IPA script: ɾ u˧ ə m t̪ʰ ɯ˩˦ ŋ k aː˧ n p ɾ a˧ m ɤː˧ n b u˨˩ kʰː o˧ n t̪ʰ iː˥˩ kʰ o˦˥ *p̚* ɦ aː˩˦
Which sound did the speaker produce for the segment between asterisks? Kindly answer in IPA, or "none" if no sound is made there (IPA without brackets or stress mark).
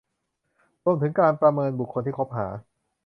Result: p̚